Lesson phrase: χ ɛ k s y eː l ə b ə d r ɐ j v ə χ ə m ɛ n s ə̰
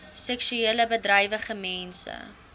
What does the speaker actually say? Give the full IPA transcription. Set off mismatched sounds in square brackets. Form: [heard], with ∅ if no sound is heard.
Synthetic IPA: [s] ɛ k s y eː l ə b ə d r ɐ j v ə χ ə m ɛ n s ə̰